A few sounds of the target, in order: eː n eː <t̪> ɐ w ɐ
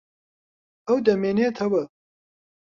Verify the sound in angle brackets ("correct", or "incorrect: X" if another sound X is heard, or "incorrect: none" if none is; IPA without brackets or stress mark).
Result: incorrect: t̪ʰ